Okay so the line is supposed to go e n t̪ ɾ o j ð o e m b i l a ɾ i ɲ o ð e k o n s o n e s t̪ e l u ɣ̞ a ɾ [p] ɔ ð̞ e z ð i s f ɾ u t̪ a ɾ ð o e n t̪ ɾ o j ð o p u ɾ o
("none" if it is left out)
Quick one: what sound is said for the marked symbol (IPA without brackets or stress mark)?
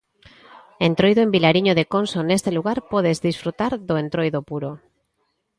p